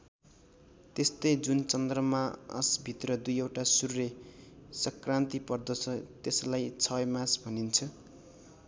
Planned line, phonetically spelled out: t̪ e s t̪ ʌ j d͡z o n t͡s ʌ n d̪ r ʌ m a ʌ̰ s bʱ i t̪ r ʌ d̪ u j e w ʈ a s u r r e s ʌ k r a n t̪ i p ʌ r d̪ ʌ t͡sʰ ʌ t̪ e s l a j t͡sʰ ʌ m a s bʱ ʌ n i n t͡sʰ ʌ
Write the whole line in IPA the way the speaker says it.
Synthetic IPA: t̪ e s t̪ ʌ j d͡z u n t͡s ʌ n d̪ r ʌ m a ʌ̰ s bʱ i t̪ r ʌ d̪ u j e w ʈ a s u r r e s ʌ k r a n t̪ i p ʌ r d̪ ʌ t͡sʰ ʌ t̪ e s l a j t͡sʰ ʌ m a s bʱ ʌ n i n t͡sʰ ʌ